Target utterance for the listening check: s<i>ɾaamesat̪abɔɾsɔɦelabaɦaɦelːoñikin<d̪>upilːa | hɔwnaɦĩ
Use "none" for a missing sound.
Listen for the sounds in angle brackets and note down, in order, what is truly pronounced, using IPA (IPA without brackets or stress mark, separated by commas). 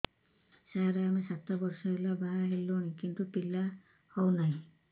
a, t̪